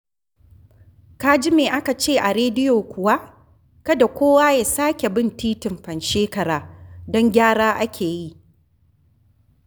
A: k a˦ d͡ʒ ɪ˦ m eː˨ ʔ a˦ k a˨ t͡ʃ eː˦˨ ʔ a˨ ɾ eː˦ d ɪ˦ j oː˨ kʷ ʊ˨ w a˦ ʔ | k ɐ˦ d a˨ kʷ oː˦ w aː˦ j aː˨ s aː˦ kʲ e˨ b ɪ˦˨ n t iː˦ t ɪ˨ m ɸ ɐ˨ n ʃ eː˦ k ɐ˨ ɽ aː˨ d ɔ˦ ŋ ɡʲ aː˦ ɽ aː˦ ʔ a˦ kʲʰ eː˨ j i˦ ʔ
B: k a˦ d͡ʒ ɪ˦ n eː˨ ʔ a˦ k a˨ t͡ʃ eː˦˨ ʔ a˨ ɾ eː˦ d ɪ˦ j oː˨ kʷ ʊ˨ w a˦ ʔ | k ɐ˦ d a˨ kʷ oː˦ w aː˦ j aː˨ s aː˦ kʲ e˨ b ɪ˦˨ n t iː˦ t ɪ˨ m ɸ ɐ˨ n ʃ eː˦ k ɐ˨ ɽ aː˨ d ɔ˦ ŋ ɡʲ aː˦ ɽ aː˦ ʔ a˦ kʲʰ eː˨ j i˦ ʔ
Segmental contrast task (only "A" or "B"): A